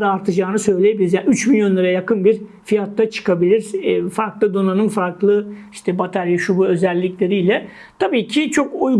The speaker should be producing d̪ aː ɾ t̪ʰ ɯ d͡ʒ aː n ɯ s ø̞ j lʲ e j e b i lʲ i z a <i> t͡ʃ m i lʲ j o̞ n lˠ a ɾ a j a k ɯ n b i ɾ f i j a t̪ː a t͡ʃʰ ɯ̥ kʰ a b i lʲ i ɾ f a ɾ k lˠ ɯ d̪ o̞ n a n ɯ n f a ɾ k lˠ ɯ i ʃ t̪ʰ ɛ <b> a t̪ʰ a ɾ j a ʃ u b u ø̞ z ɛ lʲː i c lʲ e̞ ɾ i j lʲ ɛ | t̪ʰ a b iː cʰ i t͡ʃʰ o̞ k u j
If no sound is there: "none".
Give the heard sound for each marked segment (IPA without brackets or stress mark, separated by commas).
y, b